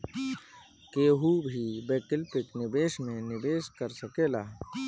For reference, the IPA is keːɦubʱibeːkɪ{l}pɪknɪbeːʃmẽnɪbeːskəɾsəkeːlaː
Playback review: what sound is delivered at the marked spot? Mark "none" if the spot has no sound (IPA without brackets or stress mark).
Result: l